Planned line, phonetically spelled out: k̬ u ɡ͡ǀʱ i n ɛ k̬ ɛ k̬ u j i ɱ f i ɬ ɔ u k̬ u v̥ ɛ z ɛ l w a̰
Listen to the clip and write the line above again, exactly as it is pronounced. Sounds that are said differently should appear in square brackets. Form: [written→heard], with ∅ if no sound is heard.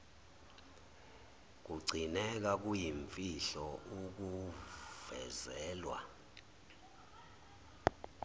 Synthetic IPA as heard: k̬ u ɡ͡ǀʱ i n ɛ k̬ [ɛ→a] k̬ u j i ɱ f i ɬ ɔ u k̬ u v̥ ɛ z [ɛ→ɛː] l w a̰